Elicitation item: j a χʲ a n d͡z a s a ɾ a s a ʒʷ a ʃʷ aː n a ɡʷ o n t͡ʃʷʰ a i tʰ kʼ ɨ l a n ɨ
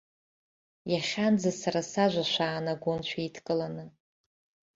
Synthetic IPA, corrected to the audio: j a χʲ a n d͡z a s a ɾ a s a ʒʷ a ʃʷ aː n a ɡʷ o n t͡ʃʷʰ a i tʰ kʼ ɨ l a n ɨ